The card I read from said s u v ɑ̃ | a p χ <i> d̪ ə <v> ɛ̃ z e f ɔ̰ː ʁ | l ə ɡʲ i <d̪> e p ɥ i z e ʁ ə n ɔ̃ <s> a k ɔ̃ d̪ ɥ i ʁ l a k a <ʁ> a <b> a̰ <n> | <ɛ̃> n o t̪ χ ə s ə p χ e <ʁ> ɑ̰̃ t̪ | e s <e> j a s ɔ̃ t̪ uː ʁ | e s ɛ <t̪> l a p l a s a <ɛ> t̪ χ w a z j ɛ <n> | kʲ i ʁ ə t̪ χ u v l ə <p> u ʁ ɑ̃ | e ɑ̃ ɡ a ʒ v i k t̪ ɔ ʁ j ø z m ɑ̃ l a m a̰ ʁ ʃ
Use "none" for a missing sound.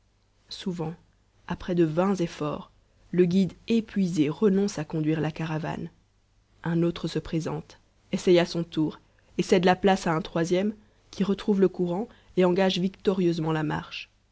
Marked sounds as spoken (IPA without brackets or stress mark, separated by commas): ɛ, v, d̪, s, ʁ, v, n, ɛ̃, z, ɛ, d̪, ɛ̃, m, k